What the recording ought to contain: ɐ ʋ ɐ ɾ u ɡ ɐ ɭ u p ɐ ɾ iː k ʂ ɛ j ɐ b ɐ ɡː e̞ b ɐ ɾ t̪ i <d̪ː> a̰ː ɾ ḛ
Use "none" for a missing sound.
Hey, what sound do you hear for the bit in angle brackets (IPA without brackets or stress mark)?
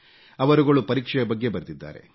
d̪ː